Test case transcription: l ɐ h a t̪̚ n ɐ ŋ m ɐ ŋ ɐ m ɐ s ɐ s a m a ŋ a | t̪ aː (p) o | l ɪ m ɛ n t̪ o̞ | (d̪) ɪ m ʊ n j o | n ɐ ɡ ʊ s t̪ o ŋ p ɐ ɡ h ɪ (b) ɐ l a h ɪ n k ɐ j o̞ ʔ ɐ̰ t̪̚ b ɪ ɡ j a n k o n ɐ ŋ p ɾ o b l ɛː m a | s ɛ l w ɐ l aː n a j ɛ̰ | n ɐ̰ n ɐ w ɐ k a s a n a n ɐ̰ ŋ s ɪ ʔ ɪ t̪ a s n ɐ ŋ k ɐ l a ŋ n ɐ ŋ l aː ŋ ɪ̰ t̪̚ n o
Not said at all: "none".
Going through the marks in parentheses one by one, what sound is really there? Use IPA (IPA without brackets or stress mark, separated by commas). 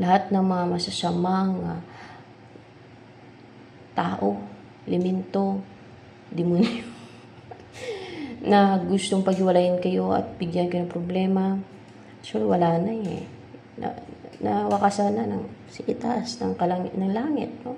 ʔ, d̪, w